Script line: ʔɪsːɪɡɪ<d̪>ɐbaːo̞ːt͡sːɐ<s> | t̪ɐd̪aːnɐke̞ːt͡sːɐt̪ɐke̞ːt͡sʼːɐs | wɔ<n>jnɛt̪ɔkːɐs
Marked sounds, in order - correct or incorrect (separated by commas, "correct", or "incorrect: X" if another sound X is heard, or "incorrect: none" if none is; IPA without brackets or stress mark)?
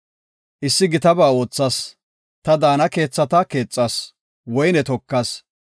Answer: incorrect: t̪, correct, incorrect: none